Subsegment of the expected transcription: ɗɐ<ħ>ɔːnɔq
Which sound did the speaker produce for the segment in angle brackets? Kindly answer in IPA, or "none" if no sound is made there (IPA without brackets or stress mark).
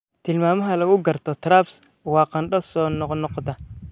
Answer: s